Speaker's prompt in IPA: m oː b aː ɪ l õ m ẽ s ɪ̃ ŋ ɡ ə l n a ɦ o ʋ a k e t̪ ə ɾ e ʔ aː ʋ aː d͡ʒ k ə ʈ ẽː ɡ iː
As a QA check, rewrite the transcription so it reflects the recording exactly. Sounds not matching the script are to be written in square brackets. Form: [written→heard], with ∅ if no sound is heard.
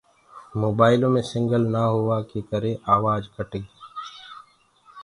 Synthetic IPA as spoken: m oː b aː ɪ l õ m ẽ s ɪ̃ ŋ ɡ ə l n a ɦ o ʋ a k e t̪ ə ɾ e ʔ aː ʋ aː d͡ʒ k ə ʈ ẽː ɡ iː